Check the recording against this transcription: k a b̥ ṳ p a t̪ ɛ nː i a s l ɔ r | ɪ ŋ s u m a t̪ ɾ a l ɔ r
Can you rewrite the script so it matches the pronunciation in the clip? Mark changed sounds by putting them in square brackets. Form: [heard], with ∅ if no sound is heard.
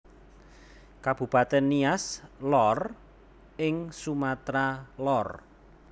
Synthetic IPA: k a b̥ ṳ p a t̪ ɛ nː i a s l ɔ r | ɪ ŋ s u m a t̪ ɾ a l ɔ r

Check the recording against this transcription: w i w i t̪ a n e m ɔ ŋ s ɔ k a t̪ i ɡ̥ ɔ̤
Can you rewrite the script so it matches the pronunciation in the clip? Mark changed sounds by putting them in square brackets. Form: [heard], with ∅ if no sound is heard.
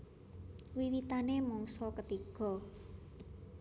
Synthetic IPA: w i w i t̪ a n e m ɔ ŋ s ɔ k [ə] t̪ i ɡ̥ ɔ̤

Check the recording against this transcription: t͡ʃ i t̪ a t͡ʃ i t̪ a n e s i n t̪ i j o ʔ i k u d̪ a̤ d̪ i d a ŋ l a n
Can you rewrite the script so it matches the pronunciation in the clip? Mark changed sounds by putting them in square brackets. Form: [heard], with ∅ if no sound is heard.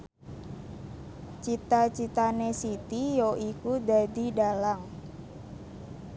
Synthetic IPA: t͡ʃ i t̪ a t͡ʃ i t̪ a n e s i [∅] t̪ i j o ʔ i k u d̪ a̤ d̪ i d a [∅] l a [ŋ]

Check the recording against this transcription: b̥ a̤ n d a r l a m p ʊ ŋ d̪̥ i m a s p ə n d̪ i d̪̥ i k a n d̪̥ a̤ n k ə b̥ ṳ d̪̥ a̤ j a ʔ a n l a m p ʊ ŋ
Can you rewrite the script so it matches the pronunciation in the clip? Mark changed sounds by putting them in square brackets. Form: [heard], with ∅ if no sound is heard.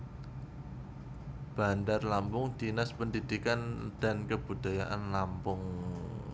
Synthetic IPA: b̥ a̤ n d a r l a m p ʊ ŋ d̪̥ i [n] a s p ə n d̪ i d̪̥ i k a n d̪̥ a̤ n k ə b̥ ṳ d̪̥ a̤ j a ʔ a n l a m p ʊ ŋ

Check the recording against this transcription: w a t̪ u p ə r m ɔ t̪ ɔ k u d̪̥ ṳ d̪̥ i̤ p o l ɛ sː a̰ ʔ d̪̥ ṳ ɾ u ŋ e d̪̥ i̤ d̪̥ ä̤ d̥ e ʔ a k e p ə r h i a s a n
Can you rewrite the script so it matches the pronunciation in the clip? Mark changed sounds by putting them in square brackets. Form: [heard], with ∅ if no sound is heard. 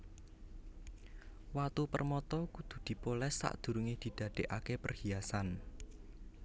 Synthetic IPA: w a t̪ u p ə r m ɔ t̪ ɔ k u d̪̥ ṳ d̪̥ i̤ p o l ɛ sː a̰ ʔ d̪̥ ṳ ɾ u ŋ e d̪̥ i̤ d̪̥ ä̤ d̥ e ʔ a k e p ə r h i a s a n

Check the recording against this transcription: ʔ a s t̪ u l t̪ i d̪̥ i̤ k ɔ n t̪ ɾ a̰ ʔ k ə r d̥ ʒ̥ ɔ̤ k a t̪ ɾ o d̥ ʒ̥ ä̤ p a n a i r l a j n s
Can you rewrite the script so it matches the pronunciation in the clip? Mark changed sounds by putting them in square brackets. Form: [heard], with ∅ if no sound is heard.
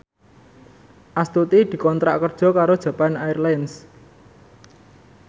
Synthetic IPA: ʔ a s t̪ u [∅] t̪ i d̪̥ i̤ k ɔ n t̪ ɾ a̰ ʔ k ə r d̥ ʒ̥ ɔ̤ k a [∅] ɾ o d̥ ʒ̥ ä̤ p a n a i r l a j n s

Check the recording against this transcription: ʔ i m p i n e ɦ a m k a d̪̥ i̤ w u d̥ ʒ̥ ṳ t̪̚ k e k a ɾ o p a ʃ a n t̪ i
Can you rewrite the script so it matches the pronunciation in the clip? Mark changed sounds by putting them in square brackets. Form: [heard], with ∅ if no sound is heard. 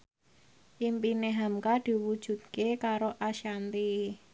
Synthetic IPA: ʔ i m p i n e ɦ a m k a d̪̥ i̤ w u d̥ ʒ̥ ṳ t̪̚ k e k a ɾ o [ʔ] a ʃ a n t̪ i

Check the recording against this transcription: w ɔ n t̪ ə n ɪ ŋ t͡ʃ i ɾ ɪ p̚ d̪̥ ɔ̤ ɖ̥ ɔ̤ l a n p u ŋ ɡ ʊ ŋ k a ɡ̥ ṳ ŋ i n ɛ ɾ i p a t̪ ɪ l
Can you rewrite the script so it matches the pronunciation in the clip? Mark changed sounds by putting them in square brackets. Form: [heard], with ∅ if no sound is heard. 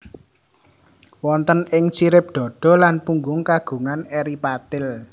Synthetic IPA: w ɔ n t̪ ə n ɪ ŋ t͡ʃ i ɾ ɪ p̚ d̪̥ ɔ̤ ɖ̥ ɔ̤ l a n p u ŋ ɡ ʊ ŋ k a ɡ̥ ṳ ŋ [a] n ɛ ɾ i p a t̪ ɪ l

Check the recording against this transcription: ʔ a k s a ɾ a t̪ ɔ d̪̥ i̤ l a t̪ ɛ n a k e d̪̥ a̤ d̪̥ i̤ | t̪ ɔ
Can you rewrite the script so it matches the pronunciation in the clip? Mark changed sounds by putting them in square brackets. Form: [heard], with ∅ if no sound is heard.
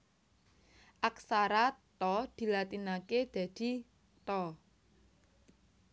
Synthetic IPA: ʔ a k s a ɾ a t̪ ɔ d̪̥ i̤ l a t̪ [i] n a k e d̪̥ a̤ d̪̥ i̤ | t̪ ɔ

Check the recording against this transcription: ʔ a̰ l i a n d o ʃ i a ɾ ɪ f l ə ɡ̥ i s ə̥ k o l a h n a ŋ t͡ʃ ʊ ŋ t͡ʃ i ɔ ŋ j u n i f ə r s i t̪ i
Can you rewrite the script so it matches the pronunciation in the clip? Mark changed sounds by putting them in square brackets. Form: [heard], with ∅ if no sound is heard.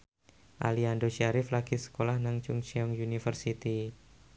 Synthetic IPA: ʔ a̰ l i a n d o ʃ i a ɾ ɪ f l [a] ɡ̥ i s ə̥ k o l a h n a ŋ t͡ʃ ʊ ŋ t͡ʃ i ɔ ŋ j u n i f ə r s i t̪ i

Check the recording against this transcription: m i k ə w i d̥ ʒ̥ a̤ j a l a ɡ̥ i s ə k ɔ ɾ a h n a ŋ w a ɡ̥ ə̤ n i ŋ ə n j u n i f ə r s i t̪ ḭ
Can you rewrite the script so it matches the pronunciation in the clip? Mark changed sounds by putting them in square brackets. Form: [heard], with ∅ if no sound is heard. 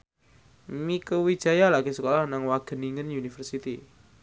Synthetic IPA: m i k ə w i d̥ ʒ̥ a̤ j a l a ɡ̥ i s ə k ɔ [l] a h n a ŋ w a ɡ̥ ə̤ n i ŋ ə n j u n i f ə r s i t̪ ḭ

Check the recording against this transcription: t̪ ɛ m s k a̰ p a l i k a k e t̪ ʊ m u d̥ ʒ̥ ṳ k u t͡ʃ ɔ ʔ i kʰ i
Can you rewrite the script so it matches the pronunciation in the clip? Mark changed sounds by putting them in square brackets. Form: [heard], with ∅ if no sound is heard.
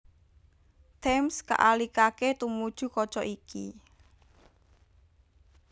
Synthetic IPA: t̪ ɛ m s k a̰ [ʔ] a l i k a k e t̪ [u] m u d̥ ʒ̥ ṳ k [ɔ] t͡ʃ ɔ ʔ i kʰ i

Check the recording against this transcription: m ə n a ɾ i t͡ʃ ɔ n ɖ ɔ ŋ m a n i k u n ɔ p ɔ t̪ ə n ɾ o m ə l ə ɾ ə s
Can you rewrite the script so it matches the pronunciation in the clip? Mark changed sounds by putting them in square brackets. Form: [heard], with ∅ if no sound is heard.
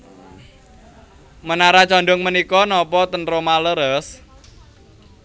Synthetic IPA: m ə n a ɾ [a] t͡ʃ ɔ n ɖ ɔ ŋ m [ə] n i k [ɔ] n ɔ p ɔ t̪ ə n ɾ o m [a] l ə ɾ ə s

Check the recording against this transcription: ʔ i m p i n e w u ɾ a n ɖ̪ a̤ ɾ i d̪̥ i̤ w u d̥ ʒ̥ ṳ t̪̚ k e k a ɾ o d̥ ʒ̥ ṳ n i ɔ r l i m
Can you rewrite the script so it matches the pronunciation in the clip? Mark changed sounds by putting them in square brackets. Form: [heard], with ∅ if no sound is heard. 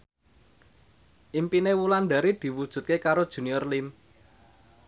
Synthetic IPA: ʔ i m p i n e w u [l] a n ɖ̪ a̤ ɾ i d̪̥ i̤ w u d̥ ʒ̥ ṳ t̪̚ k e k a ɾ o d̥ ʒ̥ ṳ n i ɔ r l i m

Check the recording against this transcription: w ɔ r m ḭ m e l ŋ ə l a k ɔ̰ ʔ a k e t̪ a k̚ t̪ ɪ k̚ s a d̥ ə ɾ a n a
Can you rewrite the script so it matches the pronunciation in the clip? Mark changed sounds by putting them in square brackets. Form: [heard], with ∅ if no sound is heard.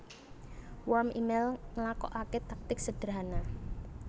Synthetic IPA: w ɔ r m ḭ m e l ŋ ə l a k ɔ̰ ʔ a k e t̪ a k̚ t̪ ɪ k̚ s [ə] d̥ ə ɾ a n a

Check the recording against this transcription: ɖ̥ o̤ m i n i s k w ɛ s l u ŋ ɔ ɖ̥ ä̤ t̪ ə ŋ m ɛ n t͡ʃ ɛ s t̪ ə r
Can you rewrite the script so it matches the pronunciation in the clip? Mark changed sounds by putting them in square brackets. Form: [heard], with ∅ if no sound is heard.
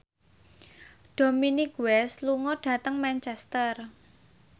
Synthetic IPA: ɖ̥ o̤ m i n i [∅] k w ɛ s l u ŋ ɔ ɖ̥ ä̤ t̪ ə ŋ m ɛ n t͡ʃ ɛ s t̪ ə r

